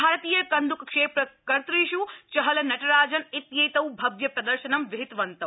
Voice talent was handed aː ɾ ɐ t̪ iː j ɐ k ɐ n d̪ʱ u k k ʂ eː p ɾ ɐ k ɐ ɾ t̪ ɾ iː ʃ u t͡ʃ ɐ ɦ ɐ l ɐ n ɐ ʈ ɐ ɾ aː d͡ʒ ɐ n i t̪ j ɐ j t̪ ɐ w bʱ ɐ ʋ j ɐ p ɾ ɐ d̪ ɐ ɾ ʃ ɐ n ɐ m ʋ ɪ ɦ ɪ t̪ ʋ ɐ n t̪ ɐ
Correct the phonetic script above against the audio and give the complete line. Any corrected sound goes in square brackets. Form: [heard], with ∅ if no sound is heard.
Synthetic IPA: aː ɾ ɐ t̪ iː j ɐ k ɐ n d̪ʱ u k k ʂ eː p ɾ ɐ k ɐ ɾ t̪ ɾ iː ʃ u t͡ʃ ɐ ɦ ɐ l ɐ n ɐ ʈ ɐ ɾ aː d͡ʒ ɐ n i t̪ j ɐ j t̪ ɐ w bʱ ɐ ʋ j ɐ p ɾ ɐ d̪ ɐ ɾ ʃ ɐ n ɐ m ʋ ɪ ɦ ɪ t̪ ʋ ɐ n t̪ ɐ